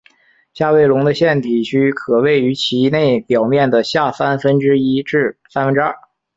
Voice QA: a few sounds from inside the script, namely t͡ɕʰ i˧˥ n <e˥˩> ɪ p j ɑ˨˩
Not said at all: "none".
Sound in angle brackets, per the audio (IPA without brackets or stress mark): e˥˩